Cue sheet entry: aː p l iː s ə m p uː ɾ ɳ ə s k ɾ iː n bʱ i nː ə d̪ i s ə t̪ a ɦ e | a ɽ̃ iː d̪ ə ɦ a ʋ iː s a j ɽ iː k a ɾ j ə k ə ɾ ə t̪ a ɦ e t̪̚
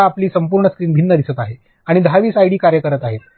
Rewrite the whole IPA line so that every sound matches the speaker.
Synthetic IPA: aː p l iː s ə m p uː ɾ ɳ ə s k ɾ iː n bʱ i nː ə d̪ i s ə t̪ a ɦ e | a ɽ̃ i d̪ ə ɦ a ʋ iː s a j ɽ iː k a ɾ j ə k ə ɾ ə t̪ a ɦ e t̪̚

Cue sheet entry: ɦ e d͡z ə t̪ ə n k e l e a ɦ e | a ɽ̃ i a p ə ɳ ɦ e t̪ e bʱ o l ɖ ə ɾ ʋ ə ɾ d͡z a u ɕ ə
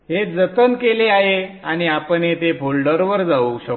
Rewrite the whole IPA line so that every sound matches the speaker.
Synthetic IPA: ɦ e d͡z ə t̪ ə n k e l e a ɦ e | a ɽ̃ i a p ə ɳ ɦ e t̪ e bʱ o l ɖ ə ɾ ʋ ə ɾ d͡z a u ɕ ə

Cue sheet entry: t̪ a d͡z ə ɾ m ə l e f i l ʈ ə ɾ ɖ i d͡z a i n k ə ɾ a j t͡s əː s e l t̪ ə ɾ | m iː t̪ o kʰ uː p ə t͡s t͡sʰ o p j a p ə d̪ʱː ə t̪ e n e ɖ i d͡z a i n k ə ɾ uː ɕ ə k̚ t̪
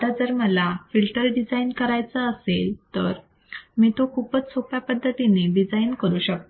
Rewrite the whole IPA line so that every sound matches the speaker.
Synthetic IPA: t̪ a d͡z ə ɾ m ə l a f i l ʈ ə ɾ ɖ i d͡z a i n k ə ɾ a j t͡s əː s e l t̪ ə ɾ | m iː t̪ o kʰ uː p ə t͡s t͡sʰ o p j a p ə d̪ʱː ə t̪ i n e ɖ i d͡z a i n k ə ɾ uː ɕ ə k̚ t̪

